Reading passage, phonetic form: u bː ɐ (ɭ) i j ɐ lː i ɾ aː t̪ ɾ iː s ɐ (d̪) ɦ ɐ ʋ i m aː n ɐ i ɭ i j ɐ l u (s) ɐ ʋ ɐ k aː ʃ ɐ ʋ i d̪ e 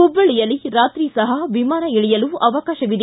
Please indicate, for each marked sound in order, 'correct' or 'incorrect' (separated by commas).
correct, incorrect, incorrect